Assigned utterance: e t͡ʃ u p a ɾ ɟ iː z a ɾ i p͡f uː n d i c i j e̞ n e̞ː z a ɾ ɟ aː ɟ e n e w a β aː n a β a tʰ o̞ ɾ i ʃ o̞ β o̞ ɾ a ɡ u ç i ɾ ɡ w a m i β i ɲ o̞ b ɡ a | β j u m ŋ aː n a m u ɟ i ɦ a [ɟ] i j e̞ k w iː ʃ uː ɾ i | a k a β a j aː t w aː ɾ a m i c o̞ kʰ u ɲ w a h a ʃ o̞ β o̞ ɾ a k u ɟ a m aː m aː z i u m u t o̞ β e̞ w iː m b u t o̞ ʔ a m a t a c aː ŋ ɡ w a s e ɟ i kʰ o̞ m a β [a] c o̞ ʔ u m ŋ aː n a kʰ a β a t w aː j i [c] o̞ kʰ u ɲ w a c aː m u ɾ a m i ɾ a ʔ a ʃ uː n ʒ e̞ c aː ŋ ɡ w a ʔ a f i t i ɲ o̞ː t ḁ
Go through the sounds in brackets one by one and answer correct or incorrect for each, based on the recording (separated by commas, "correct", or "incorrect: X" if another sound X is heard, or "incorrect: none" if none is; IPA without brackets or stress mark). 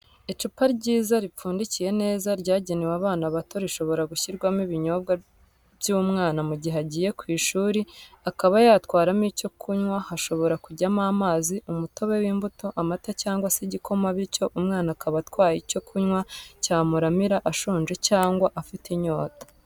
correct, incorrect: i, correct